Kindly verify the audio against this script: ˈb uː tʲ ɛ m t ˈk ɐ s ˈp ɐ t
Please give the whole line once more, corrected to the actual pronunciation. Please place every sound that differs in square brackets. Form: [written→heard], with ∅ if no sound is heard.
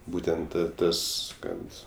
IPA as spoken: ˈb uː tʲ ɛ [m→n] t [ˈk→ˈt] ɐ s [ˈp→ˈk] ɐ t